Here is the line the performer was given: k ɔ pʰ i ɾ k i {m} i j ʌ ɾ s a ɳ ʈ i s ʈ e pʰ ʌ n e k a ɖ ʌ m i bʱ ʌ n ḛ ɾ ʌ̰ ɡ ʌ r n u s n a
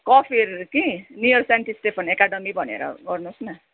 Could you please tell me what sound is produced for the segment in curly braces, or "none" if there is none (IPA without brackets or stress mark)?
n